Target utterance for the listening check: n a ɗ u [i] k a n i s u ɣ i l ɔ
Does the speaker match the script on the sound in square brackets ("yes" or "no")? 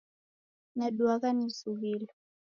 no